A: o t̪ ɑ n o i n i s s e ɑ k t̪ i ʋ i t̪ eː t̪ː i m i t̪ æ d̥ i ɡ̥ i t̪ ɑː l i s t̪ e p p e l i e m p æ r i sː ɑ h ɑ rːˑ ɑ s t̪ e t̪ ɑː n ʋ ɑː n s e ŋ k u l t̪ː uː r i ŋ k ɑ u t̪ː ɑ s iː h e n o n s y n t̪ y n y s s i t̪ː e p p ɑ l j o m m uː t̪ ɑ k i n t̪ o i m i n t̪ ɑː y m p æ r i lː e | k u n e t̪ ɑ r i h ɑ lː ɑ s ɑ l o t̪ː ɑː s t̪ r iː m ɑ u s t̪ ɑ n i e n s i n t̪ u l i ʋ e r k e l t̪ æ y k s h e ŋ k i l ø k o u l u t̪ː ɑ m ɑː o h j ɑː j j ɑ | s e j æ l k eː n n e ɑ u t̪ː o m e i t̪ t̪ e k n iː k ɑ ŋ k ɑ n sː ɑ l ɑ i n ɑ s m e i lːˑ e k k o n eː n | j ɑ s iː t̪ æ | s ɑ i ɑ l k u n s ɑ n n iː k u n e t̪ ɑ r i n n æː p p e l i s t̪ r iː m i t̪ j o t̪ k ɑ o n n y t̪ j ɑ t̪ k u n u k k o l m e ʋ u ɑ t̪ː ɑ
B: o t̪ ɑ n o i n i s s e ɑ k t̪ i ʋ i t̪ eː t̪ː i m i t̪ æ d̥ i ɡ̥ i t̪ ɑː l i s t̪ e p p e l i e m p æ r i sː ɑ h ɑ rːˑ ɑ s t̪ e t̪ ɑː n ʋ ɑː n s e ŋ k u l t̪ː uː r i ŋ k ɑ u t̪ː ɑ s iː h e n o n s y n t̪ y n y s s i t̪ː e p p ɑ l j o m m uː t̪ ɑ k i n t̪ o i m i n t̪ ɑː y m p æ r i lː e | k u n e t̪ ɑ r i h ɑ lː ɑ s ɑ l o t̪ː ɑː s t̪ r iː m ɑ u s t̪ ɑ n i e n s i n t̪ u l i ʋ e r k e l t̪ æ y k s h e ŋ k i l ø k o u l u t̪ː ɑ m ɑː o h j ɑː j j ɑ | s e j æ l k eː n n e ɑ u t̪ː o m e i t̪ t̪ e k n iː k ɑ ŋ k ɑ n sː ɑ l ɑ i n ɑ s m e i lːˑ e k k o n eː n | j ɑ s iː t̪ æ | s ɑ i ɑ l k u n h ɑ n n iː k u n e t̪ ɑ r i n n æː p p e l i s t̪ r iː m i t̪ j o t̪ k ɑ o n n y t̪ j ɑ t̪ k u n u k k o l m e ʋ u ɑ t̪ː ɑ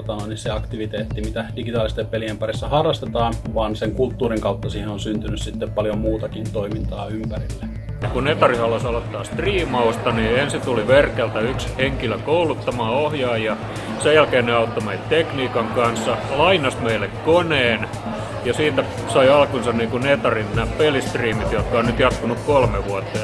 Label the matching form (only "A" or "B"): A